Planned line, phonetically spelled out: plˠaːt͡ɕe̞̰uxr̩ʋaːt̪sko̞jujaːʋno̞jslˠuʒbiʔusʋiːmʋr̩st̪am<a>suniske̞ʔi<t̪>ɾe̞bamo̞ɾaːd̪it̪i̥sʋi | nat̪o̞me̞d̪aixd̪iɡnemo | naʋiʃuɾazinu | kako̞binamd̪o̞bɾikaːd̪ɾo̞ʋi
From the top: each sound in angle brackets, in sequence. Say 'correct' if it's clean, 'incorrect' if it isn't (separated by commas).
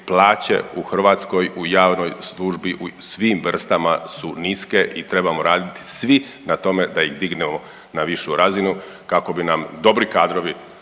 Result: correct, correct